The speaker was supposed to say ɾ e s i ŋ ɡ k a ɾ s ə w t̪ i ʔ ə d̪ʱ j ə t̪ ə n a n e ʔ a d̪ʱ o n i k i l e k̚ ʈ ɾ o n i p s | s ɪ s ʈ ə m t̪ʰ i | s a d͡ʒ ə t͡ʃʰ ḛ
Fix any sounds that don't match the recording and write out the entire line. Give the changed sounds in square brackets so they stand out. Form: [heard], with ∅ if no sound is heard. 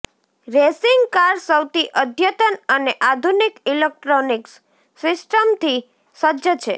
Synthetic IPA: ɾ e s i ŋ ɡ k a ɾ s ə w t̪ i ʔ ə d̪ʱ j ə t̪ ə n [ə] n e ʔ a d̪ʱ [u] n i k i l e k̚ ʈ ɾ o n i [k] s | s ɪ s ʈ ə m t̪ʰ i | s [ə] d͡ʒ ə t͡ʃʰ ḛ